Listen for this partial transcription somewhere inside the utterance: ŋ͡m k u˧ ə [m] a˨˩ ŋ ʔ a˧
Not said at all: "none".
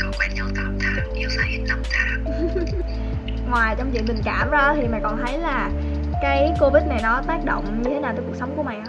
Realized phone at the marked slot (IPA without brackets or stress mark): m